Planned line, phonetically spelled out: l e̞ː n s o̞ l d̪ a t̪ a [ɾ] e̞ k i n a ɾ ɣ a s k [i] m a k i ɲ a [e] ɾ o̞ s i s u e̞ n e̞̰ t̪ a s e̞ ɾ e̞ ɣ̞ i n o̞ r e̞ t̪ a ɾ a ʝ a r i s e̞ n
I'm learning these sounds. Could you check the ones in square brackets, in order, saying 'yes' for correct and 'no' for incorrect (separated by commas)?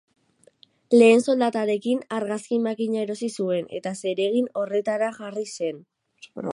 yes, yes, yes